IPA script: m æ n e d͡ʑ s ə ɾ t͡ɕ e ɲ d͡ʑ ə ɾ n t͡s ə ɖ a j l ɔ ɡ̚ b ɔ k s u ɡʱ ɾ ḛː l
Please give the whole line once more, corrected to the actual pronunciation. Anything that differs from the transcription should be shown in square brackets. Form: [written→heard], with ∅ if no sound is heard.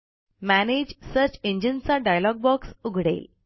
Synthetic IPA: m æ n e d͡ʑ s ə ɾ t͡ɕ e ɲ d͡ʑ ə [ɾ→∅] n t͡s [ə→a] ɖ a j l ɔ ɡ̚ b ɔ k s u ɡʱ [ɾ→ɽ] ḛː l